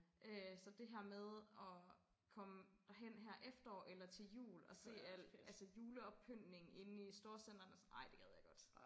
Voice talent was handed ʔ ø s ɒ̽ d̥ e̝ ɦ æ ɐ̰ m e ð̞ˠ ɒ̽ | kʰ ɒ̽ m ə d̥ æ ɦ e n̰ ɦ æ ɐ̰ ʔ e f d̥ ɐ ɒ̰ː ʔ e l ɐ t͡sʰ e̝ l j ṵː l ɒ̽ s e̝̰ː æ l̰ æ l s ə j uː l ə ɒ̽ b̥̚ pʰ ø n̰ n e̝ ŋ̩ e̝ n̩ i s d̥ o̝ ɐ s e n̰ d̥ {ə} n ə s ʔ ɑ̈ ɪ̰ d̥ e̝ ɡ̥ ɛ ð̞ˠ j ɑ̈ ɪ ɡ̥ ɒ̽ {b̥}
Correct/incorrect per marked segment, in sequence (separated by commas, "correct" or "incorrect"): incorrect, incorrect